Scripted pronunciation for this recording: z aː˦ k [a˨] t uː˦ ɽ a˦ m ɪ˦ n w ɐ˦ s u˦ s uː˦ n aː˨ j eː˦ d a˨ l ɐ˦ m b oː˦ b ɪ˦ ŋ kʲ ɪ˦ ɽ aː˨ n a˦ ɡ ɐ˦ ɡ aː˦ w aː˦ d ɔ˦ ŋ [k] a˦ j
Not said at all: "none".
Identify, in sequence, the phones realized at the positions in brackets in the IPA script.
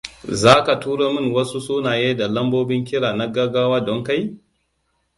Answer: a˨, k

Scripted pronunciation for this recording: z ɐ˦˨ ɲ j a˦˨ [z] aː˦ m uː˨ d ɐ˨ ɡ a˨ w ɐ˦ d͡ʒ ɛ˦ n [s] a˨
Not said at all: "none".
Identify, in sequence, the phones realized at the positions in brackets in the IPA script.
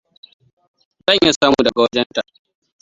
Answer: s, t

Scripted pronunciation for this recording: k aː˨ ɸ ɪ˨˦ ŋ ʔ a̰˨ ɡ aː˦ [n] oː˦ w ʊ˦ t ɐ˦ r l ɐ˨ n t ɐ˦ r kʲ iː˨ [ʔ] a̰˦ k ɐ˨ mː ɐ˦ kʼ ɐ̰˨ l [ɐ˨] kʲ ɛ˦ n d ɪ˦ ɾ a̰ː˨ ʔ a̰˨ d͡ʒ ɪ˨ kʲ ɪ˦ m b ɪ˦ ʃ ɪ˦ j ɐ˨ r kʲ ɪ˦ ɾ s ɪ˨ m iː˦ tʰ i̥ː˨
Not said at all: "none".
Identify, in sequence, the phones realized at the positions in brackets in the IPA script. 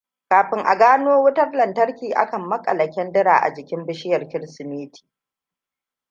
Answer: n, ʔ, ɐ˨

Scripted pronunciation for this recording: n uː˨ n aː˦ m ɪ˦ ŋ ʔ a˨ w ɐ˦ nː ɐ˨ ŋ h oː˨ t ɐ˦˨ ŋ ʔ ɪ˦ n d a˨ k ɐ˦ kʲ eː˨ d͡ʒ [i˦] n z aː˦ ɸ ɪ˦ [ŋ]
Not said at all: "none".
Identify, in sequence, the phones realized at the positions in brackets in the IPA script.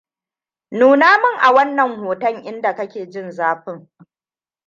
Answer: ɪ˦, ŋ

